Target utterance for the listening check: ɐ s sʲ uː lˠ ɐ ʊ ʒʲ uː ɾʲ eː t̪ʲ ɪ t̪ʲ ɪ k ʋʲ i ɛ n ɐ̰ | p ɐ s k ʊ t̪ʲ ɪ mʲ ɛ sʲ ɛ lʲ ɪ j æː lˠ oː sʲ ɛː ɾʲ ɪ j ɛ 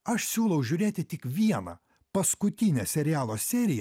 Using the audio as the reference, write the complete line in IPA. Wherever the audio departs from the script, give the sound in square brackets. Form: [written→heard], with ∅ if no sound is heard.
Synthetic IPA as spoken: ɐ [s→ʃ] sʲ uː lˠ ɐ ʊ ʒʲ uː ɾʲ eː t̪ʲ ɪ t̪ʲ ɪ k ʋʲ i ɛ n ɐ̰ | p ɐ s k ʊ t̪ʲ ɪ [mʲ→nʲ] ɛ sʲ ɛ [lʲ→ɾʲ] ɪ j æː lˠ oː sʲ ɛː ɾʲ ɪ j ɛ